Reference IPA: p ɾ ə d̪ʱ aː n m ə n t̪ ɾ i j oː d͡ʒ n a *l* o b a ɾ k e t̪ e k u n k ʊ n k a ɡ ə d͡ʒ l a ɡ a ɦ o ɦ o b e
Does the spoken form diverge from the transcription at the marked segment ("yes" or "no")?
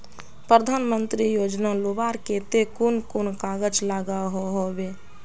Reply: no